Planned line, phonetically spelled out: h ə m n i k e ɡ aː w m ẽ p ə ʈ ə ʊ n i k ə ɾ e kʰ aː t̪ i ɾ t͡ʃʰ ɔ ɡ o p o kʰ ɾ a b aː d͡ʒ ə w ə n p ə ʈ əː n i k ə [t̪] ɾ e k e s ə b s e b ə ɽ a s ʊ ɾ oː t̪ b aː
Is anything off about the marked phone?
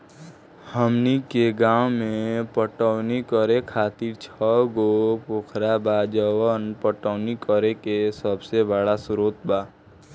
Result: yes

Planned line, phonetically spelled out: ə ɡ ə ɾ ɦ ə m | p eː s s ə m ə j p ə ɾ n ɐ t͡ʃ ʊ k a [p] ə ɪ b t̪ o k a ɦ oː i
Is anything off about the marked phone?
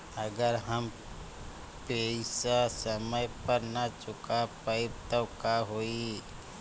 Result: no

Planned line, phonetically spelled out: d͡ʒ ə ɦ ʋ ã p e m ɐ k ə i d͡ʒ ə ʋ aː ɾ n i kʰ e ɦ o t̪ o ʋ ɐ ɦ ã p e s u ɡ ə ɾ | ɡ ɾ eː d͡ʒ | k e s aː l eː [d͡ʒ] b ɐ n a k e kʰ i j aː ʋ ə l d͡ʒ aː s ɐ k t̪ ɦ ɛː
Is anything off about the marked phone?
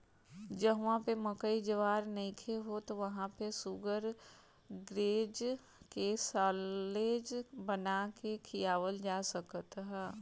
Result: no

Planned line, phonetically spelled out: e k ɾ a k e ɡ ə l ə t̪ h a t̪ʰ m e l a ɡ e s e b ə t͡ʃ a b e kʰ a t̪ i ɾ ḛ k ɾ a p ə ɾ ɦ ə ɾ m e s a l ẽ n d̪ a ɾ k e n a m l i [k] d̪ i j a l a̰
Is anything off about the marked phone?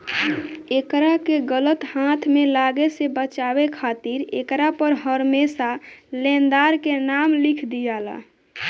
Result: yes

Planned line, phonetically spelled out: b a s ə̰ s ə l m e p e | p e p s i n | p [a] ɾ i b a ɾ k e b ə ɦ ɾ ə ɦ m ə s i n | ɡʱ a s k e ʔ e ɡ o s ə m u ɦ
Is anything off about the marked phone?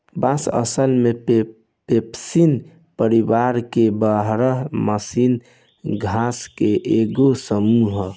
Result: yes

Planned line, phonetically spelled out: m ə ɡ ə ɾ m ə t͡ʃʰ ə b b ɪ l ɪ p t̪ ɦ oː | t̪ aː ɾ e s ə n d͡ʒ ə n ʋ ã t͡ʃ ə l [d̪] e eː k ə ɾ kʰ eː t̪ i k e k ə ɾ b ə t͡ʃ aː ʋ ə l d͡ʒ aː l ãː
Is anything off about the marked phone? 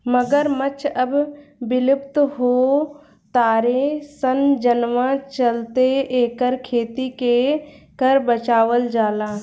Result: yes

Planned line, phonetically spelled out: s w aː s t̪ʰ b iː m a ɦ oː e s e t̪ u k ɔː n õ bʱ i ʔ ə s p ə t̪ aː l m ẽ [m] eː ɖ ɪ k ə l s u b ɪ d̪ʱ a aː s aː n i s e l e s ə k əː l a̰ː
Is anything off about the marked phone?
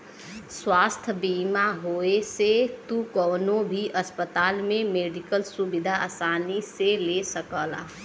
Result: no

